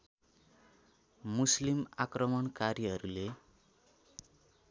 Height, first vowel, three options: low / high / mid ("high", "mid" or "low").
high